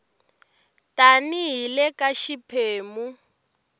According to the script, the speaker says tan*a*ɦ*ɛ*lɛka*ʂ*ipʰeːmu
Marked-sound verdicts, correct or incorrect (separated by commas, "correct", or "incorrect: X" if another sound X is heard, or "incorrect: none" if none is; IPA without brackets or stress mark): incorrect: i, incorrect: i, incorrect: ʃ